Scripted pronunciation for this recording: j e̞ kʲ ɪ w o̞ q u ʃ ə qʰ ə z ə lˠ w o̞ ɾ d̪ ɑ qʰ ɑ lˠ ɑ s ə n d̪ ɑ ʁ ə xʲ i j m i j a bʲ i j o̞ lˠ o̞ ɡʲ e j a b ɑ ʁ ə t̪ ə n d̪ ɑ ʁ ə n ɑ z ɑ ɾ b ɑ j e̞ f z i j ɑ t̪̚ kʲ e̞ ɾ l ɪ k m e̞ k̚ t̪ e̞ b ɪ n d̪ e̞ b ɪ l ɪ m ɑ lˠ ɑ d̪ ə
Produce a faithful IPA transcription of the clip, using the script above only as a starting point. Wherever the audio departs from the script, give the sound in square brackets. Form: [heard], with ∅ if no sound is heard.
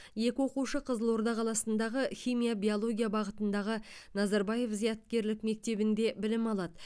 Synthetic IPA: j e̞ kʲ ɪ w o̞ q u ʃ ə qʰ ə z ə lˠ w o̞ ɾ d̪ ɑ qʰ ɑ lˠ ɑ s ə n d̪ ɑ ʁ ə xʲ i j m i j a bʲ i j o̞ lˠ o̞ ɡʲ [i] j a b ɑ ʁ ə t̪ ə n d̪ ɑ ʁ ə n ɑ z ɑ ɾ b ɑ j e̞ f z i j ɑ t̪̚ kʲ e̞ ɾ l ɪ k m e̞ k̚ t̪ e̞ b ɪ n d̪ e̞ b ɪ l ɪ m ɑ lˠ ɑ d̪ ə